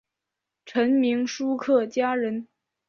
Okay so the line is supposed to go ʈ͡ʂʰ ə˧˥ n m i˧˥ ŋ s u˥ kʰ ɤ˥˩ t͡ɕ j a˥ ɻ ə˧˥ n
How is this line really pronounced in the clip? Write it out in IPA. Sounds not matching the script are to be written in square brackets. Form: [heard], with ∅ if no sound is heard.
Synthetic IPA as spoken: ʈ͡ʂʰ ə˧˥ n m i˧˥ ŋ [ʂ] u˥ kʰ ɤ˥˩ t͡ɕ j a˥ ɻ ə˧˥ n